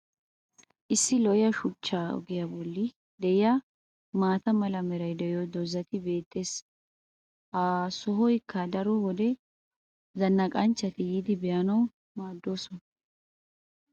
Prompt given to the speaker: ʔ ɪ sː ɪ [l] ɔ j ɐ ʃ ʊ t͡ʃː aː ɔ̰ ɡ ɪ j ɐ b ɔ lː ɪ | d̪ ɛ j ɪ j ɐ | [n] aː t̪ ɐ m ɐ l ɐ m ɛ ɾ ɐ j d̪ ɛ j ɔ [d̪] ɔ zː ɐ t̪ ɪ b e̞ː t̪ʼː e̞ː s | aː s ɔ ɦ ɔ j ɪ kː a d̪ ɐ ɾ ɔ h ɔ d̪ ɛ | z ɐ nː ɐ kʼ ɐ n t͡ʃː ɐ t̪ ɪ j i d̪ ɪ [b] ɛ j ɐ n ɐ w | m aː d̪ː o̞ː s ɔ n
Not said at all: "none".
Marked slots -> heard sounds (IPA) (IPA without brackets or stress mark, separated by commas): l, m, d̪, b